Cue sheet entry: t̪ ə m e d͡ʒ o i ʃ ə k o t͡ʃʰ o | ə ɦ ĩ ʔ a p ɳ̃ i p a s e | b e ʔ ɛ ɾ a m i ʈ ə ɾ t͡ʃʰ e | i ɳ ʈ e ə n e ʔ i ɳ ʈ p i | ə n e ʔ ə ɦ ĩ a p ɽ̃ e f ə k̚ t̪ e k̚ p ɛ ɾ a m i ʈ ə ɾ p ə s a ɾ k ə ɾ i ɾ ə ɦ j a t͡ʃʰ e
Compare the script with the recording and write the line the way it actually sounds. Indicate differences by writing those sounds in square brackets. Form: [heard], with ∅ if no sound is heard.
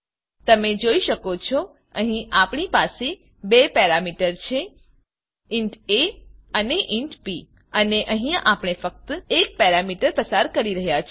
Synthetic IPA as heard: t̪ ə m e d͡ʒ o i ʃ ə k o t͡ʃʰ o | ə ɦ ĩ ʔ a p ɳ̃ i p a s e | b e [p] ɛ ɾ a m i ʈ ə ɾ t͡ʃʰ e | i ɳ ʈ e ə n e ʔ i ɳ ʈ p i | ə n e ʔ ə ɦ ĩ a p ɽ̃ e f ə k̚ t̪ e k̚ p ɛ ɾ a m i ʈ ə ɾ p ə s a ɾ k ə ɾ i ɾ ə ɦ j a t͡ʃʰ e